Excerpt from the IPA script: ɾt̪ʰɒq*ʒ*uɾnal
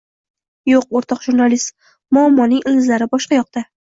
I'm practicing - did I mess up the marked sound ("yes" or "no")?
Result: no